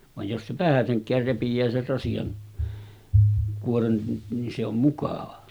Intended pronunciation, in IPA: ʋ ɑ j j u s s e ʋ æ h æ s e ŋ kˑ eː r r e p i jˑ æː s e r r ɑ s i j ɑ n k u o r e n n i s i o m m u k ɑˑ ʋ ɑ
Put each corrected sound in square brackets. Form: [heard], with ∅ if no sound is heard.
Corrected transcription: ʋ ɑ j j [o] s s e ʋ æ h æ s e ŋ kˑ [æː] r r e p i jˑ æː s e r r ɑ s i j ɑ n k u o r e n n i s [e] o m m u k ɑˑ ʋ ɑ